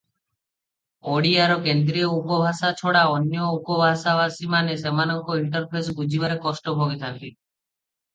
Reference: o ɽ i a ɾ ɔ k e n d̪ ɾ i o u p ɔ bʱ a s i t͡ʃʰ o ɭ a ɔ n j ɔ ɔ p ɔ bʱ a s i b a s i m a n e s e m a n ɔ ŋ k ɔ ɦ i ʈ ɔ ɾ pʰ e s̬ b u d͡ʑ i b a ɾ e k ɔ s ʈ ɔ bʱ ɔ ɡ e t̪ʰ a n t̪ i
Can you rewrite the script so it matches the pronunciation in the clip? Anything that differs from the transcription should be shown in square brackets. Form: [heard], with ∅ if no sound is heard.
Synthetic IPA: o ɽ i a ɾ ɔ k e n d̪ ɾ i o u p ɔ bʱ a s [a] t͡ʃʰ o [ɽ] a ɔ n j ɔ [u] p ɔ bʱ a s [a] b a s i m a n e s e m a n ɔ ŋ k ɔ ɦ i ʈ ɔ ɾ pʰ e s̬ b u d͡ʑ i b a ɾ e k ɔ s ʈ ɔ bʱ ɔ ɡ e t̪ʰ a n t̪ i